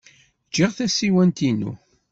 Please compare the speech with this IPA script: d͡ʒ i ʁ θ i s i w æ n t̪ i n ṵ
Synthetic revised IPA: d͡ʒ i ʁ θ æ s i w æ n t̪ i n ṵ